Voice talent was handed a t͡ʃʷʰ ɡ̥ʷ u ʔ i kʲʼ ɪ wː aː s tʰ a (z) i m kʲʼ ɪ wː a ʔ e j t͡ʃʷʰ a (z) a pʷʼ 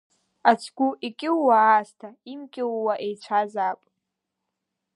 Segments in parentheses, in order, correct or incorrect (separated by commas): incorrect, correct